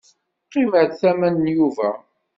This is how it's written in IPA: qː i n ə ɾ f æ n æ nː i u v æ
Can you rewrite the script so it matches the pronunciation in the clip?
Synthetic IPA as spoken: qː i m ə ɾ θ æ m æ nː j u v æ